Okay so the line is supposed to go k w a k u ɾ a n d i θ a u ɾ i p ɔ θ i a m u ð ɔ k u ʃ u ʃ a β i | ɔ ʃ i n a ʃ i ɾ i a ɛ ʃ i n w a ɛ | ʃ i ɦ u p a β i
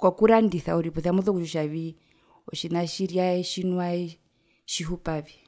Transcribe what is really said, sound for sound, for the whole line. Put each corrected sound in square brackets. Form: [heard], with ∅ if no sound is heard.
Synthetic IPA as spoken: k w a k u ɾ a n d i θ a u ɾ i p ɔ θ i a m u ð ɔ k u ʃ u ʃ a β i | ɔ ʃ i n a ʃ i ɾ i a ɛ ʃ i n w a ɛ | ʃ i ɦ u p a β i